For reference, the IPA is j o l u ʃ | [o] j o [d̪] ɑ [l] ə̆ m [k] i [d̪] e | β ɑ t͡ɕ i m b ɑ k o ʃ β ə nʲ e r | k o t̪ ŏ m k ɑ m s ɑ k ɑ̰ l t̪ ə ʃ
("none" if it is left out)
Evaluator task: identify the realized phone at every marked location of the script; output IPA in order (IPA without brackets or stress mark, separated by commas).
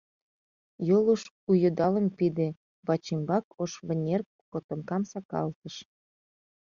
u, d̪, l, p, d̪